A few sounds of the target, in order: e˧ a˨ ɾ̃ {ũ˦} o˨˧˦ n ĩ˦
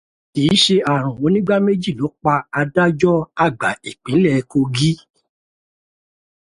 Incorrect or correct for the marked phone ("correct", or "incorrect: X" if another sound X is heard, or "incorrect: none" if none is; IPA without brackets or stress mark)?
incorrect: ũ˨